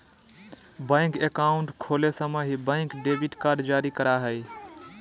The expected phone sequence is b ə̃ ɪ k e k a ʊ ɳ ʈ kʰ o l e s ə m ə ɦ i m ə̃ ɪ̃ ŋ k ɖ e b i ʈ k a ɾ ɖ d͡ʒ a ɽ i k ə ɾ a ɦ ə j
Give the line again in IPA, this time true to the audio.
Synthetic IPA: b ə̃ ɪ k e k a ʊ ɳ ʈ kʰ o l e s ə m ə ɦ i b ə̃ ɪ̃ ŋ k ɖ e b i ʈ k a ɾ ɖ d͡ʒ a ɾ i k ə ɾ a ɦ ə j